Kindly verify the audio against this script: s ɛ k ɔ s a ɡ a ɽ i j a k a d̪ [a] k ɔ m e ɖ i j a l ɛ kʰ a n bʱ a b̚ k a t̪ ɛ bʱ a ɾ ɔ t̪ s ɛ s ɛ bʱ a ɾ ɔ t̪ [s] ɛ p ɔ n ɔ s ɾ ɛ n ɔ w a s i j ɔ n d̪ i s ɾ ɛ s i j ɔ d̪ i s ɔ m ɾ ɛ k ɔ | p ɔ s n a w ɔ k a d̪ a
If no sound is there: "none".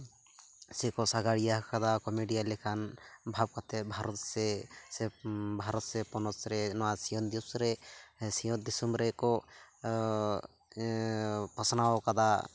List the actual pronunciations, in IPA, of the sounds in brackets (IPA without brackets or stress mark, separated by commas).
a, s